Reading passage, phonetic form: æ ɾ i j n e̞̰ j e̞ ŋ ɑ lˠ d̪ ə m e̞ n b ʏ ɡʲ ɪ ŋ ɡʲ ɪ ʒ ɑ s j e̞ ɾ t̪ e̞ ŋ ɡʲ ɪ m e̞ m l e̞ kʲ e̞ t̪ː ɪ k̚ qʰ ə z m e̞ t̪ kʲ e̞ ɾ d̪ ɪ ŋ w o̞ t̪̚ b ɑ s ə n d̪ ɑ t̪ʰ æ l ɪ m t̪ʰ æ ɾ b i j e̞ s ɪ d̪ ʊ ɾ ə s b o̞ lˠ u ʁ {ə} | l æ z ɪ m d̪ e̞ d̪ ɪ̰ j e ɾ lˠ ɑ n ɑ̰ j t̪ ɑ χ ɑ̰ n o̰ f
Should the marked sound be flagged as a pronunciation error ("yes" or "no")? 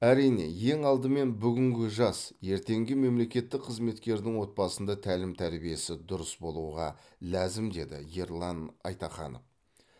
yes